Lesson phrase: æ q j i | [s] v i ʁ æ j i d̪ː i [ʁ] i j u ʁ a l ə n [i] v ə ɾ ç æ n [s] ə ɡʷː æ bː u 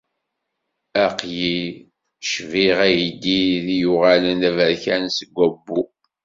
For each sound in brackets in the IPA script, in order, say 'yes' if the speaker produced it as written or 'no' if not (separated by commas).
no, no, no, yes